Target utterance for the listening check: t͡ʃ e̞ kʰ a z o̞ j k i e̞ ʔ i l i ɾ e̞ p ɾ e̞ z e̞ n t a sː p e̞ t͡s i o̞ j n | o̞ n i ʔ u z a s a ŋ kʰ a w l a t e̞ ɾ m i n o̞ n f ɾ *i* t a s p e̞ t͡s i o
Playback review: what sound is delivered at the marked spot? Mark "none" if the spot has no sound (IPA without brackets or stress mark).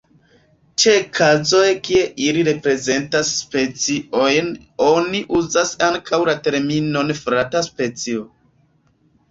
a